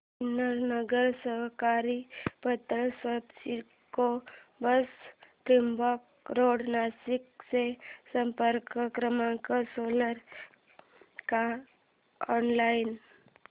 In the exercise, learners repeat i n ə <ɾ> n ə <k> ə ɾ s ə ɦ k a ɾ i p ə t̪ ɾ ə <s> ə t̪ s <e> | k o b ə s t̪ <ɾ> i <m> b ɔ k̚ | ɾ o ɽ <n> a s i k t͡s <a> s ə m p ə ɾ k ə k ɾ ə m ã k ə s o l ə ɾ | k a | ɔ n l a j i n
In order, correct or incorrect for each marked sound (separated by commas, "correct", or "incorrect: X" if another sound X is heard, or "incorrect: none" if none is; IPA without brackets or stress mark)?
correct, incorrect: ɡ, correct, incorrect: i, correct, correct, correct, incorrect: e